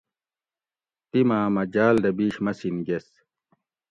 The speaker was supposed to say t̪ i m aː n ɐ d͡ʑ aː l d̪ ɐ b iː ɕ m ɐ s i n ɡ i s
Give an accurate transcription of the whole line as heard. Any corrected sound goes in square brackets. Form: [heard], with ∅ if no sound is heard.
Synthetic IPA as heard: t̪ i m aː [m] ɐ d͡ʑ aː l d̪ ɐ b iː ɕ m ɐ s i n ɡ [e] s